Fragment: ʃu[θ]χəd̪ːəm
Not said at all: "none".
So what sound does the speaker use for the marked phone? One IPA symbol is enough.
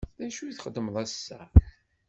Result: θ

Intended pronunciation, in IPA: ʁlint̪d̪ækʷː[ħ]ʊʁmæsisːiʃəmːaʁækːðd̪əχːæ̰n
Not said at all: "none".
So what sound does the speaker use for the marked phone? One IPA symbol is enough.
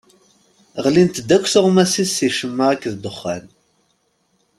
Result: θ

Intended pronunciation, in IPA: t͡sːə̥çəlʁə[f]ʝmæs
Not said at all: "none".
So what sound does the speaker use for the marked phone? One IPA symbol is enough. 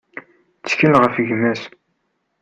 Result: f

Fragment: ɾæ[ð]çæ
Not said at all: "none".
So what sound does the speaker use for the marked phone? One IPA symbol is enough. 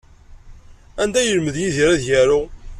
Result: ð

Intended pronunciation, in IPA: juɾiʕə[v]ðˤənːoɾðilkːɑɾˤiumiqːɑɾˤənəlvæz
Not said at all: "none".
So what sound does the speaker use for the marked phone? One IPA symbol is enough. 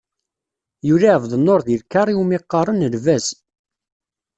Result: v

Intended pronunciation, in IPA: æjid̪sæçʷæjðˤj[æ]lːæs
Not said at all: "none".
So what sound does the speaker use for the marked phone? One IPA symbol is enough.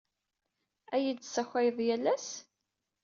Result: æ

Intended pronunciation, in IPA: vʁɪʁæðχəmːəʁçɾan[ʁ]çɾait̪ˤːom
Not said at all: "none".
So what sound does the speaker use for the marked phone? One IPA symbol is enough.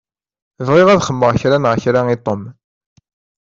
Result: ʁ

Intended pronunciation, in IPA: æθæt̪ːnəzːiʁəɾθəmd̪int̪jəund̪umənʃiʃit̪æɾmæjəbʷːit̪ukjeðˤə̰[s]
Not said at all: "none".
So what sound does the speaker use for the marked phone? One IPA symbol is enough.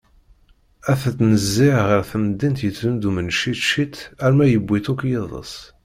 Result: s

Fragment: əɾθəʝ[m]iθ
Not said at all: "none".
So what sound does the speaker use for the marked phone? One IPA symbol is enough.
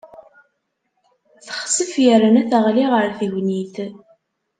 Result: n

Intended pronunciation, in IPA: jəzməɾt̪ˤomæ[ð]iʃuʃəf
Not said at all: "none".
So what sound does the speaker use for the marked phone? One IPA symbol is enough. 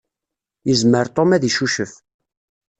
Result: ð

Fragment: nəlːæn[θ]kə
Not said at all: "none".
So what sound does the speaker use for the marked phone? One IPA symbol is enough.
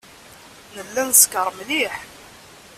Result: s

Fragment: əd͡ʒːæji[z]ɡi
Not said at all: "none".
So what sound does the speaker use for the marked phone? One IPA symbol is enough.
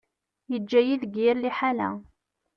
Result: ð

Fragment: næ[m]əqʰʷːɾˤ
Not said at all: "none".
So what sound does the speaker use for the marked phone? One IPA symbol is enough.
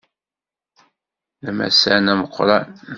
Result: m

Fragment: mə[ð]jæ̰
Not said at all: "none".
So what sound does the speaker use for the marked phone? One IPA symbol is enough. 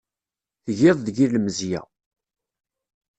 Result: z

